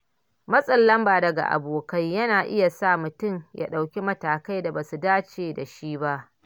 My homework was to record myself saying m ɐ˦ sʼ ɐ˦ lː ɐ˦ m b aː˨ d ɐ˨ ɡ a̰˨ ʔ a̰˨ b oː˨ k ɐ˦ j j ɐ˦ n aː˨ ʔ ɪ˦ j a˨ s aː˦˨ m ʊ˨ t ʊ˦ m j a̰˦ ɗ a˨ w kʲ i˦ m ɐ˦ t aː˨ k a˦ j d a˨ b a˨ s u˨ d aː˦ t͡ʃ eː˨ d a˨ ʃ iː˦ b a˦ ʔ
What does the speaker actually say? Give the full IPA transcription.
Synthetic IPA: m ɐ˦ sʼ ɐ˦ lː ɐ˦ m b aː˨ d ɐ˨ ɡ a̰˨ ʔ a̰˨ b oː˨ k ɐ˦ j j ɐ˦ n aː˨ ʔ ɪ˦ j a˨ s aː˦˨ m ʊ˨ t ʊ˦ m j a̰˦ ɗ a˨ w kʲ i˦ m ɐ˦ t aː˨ k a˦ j d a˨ b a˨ s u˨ d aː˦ t͡ʃ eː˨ d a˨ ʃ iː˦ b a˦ ʔ